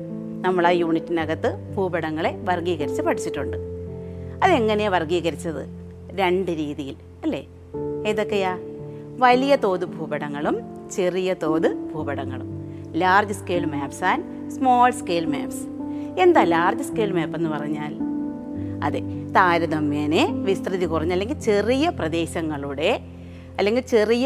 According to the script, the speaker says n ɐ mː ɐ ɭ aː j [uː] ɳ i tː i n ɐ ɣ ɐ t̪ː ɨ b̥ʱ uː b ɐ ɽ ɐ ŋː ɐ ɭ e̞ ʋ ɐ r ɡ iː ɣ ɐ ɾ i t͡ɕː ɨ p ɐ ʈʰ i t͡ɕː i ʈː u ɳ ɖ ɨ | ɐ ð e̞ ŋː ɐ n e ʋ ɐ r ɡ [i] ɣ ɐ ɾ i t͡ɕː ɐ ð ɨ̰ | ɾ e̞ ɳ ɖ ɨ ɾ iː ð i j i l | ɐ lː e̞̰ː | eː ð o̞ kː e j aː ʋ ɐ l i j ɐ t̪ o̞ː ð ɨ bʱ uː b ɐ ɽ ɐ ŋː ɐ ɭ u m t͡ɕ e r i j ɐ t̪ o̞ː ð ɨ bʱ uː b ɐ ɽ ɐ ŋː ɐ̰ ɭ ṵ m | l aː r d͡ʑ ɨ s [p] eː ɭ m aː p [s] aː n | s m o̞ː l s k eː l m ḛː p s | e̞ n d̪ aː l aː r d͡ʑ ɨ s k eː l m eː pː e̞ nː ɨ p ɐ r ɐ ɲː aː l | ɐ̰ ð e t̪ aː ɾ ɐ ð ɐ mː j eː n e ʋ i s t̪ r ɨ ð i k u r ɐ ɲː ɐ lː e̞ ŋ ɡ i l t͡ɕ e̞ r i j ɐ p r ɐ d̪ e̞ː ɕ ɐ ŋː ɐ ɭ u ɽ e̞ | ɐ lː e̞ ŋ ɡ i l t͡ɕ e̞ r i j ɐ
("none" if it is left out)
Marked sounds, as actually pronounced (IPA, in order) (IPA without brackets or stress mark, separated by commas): uː, iː, k, s